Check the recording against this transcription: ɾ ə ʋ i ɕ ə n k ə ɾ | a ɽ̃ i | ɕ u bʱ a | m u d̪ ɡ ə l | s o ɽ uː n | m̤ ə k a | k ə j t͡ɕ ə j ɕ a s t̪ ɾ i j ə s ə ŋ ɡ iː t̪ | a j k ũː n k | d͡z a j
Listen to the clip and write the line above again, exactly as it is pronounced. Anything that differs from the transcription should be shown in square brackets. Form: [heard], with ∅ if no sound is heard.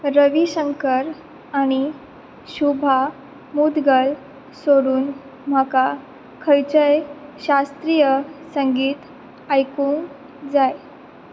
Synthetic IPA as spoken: ɾ ə ʋ i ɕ ə [ŋ] k ə ɾ | a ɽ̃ i | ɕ u bʱ a | m u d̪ ɡ ə l | s o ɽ uː n | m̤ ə k a | [kʰ] ə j t͡ɕ ə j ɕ a s t̪ ɾ i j ə s ə ŋ ɡ iː t̪ | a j k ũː [ŋ] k | d͡z a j